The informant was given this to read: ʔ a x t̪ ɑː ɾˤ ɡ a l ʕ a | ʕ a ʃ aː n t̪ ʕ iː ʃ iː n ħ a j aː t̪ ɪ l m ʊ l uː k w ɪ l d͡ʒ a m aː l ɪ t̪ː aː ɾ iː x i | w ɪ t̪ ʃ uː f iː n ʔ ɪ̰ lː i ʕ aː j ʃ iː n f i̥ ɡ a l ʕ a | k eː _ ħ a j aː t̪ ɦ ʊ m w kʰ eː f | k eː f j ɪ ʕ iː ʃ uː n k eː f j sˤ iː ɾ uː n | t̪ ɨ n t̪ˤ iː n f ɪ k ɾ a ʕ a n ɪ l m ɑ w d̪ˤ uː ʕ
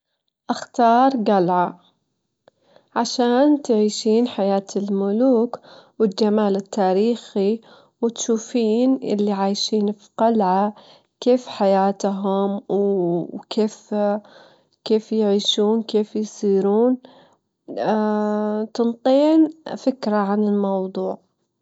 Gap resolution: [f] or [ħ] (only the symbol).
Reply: f